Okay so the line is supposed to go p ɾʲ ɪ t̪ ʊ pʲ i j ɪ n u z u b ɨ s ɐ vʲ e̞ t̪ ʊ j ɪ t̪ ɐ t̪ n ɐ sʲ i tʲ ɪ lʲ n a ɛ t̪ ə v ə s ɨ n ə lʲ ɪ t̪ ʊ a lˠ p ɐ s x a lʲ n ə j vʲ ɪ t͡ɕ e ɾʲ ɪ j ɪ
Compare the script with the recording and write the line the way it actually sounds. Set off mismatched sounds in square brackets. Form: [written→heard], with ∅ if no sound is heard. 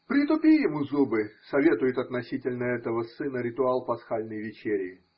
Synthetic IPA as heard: p ɾʲ ɪ t̪ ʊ pʲ i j ɪ [n→m] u z u b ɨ s ɐ vʲ e̞ t̪ ʊ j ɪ t̪ ɐ t̪ n ɐ sʲ i tʲ ɪ lʲ n [a→ə] ɛ t̪ ə v ə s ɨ n ə [lʲ→ɾʲ] ɪ t̪ ʊ a lˠ p ɐ s x a lʲ n ə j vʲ ɪ t͡ɕ e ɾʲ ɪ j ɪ